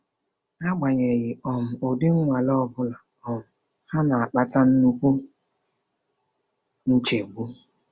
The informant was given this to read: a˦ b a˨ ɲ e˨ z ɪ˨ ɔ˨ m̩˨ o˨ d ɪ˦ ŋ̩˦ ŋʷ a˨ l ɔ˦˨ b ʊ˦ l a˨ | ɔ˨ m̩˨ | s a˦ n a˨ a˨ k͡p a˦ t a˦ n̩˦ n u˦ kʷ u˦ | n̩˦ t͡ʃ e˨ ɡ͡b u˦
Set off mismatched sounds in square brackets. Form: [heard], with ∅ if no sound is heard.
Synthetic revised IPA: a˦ [ɡ͡b] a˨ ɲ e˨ [ɣ] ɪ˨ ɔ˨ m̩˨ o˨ d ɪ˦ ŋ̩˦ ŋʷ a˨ l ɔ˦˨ b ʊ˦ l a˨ | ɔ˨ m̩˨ | [h] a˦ n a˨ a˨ k͡p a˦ t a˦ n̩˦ n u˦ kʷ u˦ | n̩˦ t͡ʃ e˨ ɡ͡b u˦